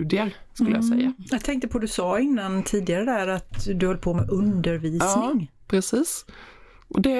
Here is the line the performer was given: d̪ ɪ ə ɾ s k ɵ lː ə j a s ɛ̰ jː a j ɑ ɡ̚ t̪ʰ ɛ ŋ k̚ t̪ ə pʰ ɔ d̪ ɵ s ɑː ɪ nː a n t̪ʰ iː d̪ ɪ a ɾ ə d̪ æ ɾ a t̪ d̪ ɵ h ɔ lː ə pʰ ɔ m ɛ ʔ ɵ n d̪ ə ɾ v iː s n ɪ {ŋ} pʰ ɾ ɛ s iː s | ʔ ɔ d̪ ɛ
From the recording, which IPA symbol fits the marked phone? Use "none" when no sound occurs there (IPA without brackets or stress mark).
ŋ